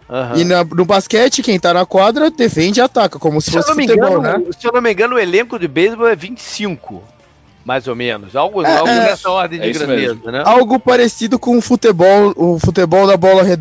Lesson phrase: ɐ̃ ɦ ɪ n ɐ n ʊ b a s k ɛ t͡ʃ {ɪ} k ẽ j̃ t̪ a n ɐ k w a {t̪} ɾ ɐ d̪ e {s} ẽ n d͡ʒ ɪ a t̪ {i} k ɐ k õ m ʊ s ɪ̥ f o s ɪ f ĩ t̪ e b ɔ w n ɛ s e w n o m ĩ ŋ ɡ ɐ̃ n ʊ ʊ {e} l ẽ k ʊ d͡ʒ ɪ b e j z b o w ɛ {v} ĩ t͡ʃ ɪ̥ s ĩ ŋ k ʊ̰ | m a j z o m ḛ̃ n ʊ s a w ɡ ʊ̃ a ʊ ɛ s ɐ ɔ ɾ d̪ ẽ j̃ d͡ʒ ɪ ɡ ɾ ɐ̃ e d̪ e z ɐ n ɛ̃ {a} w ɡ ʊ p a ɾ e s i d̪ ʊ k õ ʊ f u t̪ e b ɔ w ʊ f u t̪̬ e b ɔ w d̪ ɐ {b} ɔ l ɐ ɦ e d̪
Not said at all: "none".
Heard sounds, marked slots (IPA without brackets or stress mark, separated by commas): ɪ, d̪, f, a, e, v, a, b